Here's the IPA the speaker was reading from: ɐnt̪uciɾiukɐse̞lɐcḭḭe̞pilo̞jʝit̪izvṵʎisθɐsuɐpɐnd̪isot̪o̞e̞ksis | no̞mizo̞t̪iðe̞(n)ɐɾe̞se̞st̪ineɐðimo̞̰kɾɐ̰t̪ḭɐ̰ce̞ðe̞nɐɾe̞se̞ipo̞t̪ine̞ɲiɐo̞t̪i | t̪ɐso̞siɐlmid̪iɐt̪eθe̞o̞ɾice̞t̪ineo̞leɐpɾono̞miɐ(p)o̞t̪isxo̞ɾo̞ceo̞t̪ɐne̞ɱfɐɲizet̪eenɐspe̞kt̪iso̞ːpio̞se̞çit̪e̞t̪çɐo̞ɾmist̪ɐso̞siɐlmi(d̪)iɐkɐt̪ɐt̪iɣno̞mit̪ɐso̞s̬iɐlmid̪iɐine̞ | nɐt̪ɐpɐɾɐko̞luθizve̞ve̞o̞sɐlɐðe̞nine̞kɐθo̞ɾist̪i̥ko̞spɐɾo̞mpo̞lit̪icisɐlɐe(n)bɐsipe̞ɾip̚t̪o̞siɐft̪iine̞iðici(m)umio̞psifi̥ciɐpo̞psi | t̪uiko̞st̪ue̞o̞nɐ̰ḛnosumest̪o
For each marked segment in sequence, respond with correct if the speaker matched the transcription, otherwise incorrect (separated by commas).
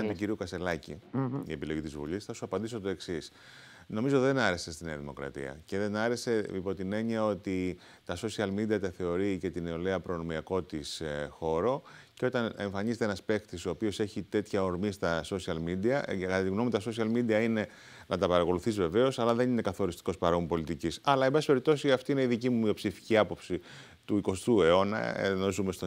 correct, incorrect, correct, incorrect, correct